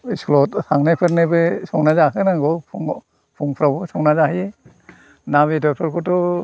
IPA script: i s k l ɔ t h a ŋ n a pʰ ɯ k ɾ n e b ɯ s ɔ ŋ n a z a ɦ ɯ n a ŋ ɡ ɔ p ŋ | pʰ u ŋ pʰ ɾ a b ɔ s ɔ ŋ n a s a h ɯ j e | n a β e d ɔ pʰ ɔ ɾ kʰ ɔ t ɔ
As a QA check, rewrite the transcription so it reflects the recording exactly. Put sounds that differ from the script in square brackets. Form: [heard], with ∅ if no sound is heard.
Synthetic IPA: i s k l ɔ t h a ŋ n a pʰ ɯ [∅] ɾ n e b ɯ s ɔ ŋ n a z a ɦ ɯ n a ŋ ɡ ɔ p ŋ | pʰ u ŋ pʰ ɾ a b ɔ s ɔ ŋ n a [z] a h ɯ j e | n a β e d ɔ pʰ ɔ ɾ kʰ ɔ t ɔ